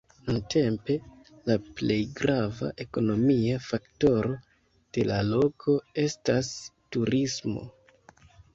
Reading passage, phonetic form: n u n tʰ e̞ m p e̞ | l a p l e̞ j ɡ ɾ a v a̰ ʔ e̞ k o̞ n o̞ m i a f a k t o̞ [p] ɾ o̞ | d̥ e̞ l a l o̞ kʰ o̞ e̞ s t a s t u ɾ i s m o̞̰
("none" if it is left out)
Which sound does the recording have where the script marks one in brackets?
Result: none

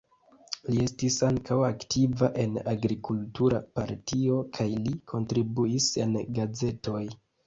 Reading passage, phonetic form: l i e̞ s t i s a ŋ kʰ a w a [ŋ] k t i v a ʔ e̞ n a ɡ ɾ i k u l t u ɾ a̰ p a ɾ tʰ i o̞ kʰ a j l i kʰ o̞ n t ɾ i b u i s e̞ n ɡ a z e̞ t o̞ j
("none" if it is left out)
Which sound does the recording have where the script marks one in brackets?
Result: none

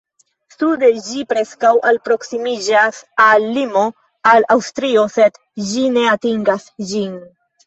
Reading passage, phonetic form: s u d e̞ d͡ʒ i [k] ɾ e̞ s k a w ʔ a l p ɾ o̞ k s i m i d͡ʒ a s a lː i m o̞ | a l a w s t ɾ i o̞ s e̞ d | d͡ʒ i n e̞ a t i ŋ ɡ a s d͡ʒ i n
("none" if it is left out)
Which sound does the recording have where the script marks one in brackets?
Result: p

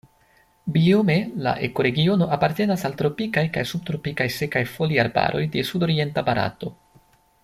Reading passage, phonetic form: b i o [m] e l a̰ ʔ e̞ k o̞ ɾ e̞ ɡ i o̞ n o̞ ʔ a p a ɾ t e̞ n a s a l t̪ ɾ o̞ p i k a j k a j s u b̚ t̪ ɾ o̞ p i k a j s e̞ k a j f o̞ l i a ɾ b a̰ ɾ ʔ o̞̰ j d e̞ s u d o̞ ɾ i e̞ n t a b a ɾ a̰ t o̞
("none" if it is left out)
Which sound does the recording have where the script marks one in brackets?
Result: m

